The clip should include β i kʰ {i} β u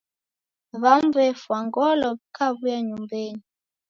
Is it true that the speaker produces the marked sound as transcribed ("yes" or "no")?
no